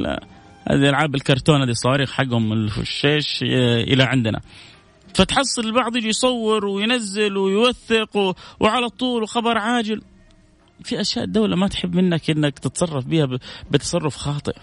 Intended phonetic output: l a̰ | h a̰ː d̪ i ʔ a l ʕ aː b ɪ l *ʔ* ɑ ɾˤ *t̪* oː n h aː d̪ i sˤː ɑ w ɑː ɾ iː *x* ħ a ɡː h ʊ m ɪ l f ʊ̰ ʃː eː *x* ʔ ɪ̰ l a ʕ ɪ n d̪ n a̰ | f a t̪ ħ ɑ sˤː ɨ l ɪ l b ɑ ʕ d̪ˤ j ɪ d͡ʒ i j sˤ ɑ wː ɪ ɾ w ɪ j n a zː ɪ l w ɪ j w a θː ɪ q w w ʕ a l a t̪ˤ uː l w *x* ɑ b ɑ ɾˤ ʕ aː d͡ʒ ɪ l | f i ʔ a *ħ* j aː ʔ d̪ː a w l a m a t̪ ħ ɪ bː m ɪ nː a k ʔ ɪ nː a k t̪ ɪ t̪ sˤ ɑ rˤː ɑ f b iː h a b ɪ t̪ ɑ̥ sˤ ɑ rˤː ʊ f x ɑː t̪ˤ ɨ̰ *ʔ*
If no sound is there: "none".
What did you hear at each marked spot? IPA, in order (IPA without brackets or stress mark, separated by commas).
k, t̪, x, ʃ, x, ʃ, ʔ